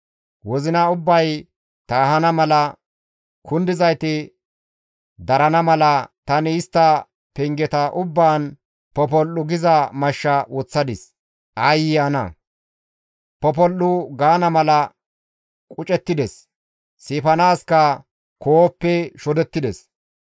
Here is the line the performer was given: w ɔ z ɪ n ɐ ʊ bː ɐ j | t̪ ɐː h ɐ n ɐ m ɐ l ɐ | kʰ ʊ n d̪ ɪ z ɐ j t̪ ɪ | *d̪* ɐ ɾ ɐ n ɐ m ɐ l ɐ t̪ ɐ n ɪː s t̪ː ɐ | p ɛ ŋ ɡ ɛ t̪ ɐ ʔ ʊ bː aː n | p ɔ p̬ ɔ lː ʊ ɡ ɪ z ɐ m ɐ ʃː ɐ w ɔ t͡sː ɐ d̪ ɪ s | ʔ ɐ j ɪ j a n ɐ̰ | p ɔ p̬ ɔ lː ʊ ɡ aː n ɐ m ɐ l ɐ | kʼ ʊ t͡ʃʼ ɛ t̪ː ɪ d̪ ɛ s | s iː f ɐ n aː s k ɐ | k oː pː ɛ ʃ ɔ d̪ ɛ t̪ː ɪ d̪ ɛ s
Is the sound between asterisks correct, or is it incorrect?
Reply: correct